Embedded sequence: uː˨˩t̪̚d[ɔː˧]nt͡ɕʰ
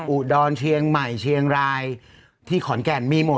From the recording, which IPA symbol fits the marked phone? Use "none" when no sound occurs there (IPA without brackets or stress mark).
ɔː˧